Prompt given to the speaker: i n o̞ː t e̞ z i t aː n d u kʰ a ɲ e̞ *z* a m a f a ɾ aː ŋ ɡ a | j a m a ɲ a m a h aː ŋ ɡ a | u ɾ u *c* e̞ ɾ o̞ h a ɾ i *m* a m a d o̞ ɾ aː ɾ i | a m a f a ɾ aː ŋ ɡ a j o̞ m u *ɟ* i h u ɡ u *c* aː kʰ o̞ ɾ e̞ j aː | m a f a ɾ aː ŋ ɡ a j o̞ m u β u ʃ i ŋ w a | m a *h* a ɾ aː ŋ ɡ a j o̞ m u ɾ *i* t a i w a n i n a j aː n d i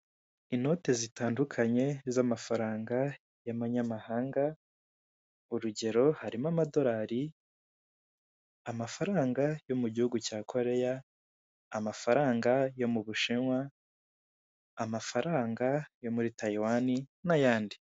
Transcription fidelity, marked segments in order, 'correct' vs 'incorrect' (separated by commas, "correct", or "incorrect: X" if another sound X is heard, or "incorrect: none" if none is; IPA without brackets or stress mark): correct, incorrect: ɟ, correct, correct, correct, incorrect: f, correct